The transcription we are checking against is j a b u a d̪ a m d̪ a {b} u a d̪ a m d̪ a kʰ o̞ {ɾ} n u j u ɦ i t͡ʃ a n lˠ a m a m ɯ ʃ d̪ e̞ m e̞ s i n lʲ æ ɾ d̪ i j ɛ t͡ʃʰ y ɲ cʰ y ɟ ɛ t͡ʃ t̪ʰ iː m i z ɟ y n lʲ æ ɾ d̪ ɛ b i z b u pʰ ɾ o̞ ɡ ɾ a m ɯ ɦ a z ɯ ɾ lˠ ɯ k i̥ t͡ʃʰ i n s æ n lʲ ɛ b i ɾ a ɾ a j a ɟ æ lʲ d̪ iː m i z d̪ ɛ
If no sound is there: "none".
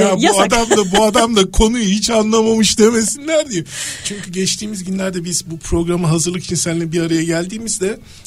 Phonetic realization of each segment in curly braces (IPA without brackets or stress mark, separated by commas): b, none